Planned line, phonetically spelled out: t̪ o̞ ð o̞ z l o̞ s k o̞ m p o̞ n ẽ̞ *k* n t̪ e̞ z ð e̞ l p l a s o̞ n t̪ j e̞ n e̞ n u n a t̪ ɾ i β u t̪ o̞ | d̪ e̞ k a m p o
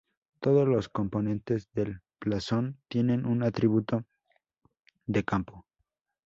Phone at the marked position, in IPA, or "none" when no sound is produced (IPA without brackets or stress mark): none